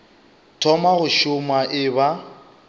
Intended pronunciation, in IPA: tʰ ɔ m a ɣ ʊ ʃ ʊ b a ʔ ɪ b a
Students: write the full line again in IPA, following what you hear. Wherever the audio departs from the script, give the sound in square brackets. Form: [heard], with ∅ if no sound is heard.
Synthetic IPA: tʰ ɔ m a ɣ ʊ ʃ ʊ [m] a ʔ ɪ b a